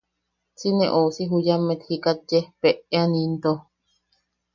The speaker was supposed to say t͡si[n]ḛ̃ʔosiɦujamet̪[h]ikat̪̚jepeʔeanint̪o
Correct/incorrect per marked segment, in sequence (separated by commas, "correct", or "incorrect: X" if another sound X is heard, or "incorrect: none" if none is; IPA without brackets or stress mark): correct, correct